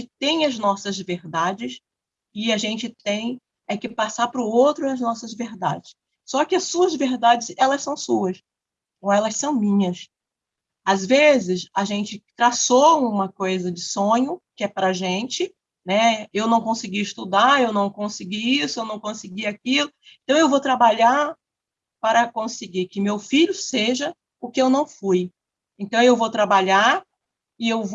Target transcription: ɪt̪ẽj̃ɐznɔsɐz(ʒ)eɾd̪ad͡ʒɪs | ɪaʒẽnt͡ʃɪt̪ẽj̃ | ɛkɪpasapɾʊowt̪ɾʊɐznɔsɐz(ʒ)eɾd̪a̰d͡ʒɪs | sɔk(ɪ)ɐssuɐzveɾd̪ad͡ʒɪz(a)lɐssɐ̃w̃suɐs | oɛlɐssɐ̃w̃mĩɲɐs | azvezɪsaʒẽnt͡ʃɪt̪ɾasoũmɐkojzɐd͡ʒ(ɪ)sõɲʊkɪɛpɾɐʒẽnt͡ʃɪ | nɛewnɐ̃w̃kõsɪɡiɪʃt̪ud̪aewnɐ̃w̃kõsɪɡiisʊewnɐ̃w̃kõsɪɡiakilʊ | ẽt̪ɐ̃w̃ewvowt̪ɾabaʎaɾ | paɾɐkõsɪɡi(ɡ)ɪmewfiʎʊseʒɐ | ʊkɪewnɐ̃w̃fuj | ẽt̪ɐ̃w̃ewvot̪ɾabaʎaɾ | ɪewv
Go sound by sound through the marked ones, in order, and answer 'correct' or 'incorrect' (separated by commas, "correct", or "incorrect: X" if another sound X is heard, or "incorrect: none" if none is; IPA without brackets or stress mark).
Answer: incorrect: v, incorrect: v, correct, incorrect: ɛ, correct, incorrect: k